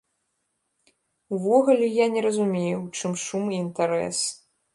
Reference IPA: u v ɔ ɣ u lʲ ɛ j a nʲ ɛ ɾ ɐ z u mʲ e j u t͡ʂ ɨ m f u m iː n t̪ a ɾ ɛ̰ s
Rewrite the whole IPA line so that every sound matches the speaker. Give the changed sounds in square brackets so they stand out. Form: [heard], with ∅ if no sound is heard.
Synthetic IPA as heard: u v ɔ ɣ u lʲ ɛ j a nʲ ɛ ɾ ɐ z u mʲ e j u t͡ʂ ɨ m [ʂ] u m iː n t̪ a ɾ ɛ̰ s